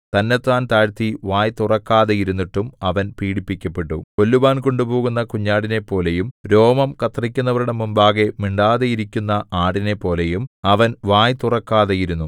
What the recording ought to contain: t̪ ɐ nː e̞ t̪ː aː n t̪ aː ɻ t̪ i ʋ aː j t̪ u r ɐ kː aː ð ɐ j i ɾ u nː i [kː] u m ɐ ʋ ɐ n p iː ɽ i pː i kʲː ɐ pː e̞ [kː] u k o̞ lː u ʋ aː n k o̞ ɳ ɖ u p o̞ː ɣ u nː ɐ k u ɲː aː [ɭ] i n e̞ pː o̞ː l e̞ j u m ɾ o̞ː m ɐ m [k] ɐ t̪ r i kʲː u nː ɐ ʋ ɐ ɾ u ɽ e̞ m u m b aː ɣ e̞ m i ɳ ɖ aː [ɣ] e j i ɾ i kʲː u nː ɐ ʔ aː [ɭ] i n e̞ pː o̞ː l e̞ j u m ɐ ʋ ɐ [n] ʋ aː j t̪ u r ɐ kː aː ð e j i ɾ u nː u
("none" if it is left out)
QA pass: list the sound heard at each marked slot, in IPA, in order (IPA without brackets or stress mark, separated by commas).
ʈː, ʈː, ɽ, k, ð, ɽ, n